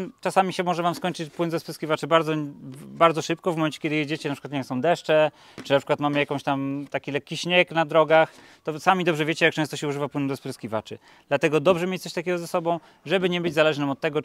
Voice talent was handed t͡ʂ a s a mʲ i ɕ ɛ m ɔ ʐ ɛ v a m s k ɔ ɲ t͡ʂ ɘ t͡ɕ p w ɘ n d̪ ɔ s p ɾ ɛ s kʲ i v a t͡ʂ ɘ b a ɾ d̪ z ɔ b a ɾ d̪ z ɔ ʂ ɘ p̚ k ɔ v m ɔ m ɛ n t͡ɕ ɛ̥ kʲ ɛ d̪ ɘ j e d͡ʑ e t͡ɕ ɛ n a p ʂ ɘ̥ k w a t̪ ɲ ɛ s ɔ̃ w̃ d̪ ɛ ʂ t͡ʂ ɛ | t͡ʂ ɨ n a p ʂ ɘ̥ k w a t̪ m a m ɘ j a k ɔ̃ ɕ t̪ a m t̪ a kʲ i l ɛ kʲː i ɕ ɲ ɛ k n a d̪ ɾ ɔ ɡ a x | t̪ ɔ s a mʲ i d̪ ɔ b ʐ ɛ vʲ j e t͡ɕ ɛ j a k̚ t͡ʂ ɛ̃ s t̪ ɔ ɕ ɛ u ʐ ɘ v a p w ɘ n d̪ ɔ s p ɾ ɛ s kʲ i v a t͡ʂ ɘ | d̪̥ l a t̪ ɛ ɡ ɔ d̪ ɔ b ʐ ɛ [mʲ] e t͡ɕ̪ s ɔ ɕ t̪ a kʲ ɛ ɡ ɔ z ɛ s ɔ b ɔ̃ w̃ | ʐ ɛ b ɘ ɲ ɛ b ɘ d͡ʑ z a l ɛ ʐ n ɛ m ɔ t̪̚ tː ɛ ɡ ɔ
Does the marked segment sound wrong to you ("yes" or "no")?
no